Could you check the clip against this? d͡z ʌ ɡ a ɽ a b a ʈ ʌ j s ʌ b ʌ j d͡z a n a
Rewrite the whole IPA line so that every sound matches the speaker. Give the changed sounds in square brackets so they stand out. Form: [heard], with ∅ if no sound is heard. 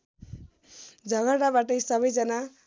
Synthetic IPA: d͡z ʌ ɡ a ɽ a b a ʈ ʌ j s ʌ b ʌ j d͡z [ʌ] n a

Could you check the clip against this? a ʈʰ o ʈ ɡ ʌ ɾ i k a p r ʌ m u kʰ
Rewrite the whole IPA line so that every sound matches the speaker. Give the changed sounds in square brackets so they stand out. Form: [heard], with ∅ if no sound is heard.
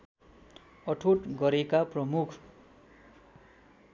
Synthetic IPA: [ʌ] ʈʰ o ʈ ɡ ʌ ɾ [e] k a p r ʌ m u kʰ

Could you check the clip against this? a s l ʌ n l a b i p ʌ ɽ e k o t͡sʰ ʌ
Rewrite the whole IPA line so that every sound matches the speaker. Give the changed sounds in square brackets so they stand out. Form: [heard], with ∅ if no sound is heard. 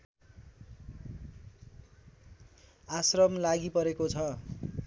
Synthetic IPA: a s [r] ʌ [m] l a [ɡ] i p ʌ [ɾ] e k o t͡sʰ ʌ

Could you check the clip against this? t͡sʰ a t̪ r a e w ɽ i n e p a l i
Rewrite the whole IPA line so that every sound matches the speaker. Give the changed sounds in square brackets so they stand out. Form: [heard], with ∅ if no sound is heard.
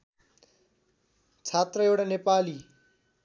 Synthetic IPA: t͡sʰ a t̪ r [ʌ] e w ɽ [a] n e p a l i

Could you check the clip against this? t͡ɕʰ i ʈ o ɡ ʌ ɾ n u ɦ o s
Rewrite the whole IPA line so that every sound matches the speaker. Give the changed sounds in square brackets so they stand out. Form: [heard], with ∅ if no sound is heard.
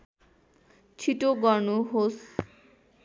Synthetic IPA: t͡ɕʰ i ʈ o ɡ [ɔ] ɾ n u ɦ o s

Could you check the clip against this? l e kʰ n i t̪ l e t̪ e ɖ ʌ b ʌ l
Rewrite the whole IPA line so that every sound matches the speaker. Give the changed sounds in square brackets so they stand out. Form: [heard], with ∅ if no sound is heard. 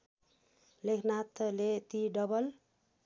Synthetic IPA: l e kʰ n [a] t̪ l e t̪ [i] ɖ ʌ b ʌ l

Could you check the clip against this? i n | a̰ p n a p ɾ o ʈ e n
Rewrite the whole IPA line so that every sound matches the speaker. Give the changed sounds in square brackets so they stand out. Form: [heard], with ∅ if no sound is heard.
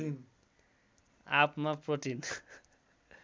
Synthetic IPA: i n | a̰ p [m] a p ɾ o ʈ [i] n

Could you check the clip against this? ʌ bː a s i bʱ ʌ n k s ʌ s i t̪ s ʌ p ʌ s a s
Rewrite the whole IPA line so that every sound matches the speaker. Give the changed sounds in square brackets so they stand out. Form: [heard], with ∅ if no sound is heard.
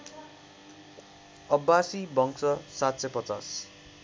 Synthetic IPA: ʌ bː a s i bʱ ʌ [ŋ] k s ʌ s [a] t̪ s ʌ p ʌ [t͡s] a s

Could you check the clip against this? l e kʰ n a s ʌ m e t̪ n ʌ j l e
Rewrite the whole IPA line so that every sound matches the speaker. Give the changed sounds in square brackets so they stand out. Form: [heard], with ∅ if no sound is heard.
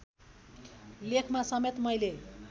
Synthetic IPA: l e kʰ [m] a s ʌ m e t̪ [m] ʌ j l e

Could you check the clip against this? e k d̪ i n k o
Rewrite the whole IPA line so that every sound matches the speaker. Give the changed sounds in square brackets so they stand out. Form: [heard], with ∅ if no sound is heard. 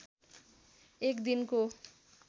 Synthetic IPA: e k d̪ i n k o

